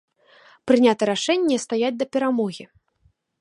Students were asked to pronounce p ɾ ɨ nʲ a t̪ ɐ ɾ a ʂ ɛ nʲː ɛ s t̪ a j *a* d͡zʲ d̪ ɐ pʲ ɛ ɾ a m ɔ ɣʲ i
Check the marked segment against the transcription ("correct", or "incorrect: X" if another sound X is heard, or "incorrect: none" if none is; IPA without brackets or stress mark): correct